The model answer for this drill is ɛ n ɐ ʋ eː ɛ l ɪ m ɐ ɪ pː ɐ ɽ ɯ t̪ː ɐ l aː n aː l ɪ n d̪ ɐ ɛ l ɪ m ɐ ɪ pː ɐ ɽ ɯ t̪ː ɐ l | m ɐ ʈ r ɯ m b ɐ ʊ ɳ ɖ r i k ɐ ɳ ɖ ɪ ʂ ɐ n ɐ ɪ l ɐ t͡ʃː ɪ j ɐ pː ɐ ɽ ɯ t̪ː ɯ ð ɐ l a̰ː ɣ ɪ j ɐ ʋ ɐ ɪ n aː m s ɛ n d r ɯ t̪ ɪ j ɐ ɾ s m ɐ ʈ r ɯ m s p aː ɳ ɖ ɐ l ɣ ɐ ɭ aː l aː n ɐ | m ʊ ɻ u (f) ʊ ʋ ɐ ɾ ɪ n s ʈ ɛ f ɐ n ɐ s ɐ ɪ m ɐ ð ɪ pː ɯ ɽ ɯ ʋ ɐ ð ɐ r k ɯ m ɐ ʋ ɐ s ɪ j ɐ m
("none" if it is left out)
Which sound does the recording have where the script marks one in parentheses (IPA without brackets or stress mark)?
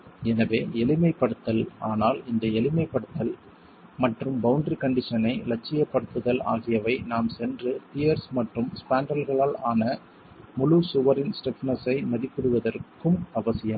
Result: s